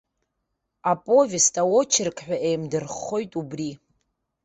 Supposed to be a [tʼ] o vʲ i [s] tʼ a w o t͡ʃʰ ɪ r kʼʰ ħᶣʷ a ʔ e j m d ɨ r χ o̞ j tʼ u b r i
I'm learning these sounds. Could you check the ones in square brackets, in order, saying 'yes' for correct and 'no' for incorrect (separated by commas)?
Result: no, yes